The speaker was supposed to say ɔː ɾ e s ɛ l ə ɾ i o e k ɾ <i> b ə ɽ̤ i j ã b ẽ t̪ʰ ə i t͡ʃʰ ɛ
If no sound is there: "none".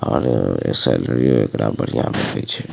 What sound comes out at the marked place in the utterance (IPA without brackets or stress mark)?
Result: a